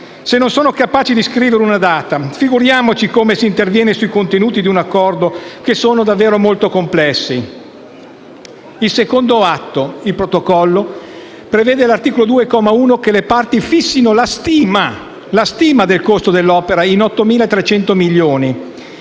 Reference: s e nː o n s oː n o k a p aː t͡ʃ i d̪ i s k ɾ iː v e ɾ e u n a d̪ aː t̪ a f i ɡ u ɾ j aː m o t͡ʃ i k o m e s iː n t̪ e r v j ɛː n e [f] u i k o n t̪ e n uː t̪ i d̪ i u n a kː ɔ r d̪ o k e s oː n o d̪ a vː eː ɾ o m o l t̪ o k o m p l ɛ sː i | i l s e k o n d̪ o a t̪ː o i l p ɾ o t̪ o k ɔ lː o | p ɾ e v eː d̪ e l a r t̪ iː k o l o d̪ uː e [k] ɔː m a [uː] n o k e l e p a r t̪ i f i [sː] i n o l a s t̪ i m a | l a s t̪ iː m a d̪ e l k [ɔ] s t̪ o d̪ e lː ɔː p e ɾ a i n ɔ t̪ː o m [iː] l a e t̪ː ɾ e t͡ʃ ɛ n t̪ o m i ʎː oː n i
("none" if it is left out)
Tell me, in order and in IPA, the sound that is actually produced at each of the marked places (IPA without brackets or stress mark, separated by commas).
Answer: s, k, uː, sː, o, iː